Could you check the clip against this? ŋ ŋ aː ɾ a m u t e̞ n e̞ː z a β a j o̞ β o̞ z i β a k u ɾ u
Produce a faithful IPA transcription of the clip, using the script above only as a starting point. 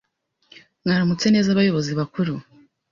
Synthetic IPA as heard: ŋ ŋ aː ɾ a m u t͡s e̞ n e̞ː z a β a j o̞ β o̞ z i β a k u ɾ u